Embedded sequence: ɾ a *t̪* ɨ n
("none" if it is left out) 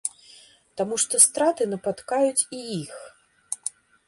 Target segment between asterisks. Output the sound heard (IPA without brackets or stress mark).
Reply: t̪